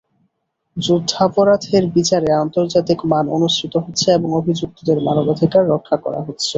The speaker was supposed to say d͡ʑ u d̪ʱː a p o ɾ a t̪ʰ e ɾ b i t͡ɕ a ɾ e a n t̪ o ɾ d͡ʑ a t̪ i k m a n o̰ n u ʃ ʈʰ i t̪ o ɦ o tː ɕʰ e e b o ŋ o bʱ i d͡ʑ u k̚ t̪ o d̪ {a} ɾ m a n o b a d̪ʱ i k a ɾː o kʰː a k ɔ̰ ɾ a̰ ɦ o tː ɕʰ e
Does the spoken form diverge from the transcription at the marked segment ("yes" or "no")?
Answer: yes